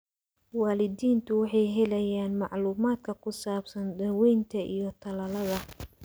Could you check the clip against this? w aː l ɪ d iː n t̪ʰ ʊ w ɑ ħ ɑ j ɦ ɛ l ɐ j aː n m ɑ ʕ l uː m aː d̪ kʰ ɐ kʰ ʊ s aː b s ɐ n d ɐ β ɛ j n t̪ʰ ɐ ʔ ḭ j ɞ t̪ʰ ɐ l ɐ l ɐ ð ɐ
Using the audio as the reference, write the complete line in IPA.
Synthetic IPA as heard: w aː l ɪ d iː n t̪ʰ ʊ w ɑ ħ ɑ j ɦ ɛ l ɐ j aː n m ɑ ʕ l uː m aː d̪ kʰ ɐ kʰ ʊ s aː b s ɐ n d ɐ w ɛ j n t̪ʰ ɐ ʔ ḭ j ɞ t̪ʰ ɐ l ɐ l ɐ ð ɐ